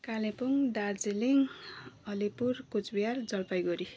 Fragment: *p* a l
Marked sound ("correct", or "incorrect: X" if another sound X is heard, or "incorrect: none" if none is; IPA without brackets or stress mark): incorrect: k